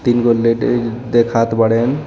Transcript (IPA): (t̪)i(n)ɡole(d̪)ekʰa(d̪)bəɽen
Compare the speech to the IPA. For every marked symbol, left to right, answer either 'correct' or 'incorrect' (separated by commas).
correct, correct, correct, incorrect